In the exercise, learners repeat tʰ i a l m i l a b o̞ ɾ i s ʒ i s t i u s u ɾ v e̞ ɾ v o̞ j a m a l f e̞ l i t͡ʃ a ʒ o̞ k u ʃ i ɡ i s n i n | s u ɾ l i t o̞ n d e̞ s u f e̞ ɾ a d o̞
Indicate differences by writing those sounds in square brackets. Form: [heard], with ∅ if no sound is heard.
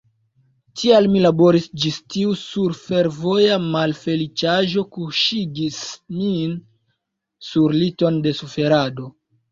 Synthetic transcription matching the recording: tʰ i a l m i l a b o̞ ɾ i s [d͡ʒ] i s t i u s u ɾ [f] e̞ ɾ v o̞ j a m a l f e̞ l i t͡ʃ a ʒ o̞ k u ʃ i ɡ i s [m] i n | s u ɾ l i t o̞ n d e̞ s u f e̞ ɾ a d o̞